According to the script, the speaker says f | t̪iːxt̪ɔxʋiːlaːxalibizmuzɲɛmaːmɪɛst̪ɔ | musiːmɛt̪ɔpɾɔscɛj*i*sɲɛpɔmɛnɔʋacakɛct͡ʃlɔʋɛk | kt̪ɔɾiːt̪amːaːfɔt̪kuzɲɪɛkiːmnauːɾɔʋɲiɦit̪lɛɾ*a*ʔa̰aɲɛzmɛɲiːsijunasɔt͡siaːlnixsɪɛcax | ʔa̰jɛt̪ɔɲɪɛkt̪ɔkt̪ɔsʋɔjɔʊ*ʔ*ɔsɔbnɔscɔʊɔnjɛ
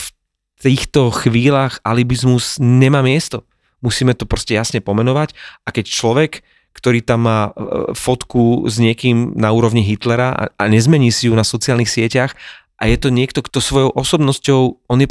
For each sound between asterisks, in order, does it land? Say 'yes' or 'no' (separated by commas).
no, yes, yes